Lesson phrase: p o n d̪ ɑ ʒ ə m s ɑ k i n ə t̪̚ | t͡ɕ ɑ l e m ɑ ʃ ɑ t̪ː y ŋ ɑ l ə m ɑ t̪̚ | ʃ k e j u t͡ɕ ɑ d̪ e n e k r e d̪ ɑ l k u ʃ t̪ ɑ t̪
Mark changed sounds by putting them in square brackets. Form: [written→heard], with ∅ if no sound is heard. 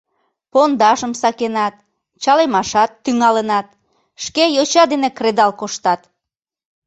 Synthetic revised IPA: p o n d̪ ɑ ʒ ə m s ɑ k [i→e] n [ə→ɑ] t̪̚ | t͡ɕ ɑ l e m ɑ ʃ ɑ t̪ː y ŋ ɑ l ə [m→n] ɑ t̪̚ | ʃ k e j [u→o] t͡ɕ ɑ d̪ e n e k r e d̪ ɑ l k [u→o] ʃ t̪ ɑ t̪